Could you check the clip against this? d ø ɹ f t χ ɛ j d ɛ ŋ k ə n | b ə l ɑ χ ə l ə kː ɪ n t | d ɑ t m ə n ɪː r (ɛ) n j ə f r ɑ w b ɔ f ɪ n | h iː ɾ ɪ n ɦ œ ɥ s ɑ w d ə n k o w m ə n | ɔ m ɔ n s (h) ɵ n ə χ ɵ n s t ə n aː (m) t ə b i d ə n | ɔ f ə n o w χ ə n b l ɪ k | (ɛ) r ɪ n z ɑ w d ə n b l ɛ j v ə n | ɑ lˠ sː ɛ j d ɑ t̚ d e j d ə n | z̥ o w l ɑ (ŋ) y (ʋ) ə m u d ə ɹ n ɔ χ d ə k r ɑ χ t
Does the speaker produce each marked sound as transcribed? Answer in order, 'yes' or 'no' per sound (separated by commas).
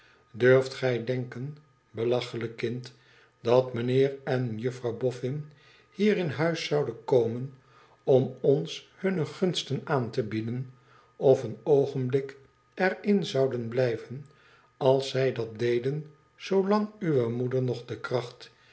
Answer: yes, yes, no, yes, yes, yes